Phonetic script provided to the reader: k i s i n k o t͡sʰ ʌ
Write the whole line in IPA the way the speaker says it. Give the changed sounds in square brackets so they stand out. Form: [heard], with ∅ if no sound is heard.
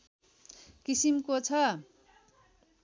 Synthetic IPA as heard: k i s i [m] k o t͡sʰ ʌ